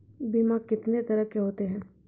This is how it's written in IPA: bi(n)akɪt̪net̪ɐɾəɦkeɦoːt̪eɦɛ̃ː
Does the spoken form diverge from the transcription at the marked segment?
yes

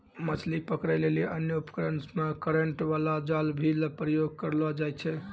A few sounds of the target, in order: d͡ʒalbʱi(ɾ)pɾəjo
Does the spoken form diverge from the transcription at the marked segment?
yes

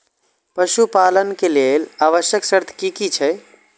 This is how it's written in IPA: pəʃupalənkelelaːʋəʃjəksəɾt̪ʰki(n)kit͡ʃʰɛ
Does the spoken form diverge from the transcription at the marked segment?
yes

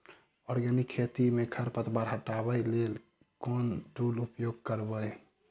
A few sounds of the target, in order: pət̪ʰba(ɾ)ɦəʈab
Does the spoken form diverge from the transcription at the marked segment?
no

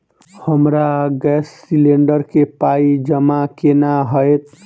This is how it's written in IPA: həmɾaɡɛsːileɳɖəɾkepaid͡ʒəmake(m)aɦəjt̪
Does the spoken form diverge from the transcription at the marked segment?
yes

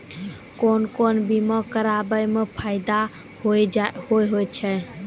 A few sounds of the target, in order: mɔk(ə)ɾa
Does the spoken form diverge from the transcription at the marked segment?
no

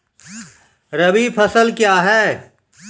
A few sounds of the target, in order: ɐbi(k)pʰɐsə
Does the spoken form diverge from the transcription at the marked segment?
yes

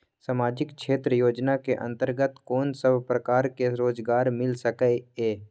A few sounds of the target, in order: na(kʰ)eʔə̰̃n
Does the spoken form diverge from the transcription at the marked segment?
yes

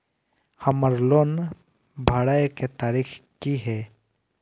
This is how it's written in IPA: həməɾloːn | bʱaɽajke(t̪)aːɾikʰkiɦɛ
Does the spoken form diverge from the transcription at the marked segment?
no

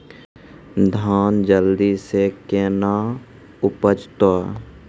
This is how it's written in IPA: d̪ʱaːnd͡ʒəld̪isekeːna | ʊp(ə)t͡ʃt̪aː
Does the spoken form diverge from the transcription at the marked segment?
no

